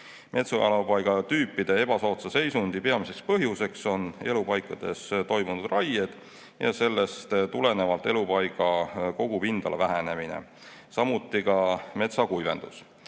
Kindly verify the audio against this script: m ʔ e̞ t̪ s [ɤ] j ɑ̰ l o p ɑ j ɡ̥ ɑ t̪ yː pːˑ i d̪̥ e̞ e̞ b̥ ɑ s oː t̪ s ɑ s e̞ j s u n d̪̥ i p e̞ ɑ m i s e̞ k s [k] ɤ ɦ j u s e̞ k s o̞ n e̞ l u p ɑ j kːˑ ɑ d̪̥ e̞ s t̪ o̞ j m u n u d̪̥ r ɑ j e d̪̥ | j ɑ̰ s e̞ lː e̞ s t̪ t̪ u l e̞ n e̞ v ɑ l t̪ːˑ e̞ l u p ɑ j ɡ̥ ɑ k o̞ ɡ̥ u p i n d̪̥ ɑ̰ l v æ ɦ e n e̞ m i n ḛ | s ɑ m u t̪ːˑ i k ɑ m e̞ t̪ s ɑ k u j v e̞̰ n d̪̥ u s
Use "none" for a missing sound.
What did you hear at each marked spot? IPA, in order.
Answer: o, p

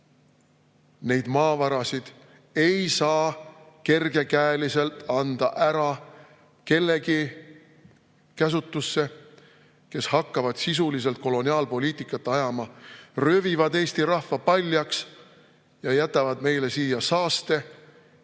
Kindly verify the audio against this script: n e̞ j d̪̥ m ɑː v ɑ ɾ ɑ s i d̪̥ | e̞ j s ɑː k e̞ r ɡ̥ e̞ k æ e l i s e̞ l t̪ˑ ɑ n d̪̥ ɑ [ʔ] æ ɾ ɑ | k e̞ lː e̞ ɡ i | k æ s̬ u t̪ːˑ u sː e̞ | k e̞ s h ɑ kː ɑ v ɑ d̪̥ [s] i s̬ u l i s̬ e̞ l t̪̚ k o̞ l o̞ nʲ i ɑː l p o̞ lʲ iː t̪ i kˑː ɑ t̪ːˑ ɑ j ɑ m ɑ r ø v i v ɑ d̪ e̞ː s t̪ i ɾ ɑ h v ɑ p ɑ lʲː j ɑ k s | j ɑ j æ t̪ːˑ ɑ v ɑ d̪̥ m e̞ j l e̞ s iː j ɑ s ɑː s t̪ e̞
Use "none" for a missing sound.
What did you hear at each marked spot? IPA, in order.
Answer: ʔ, s

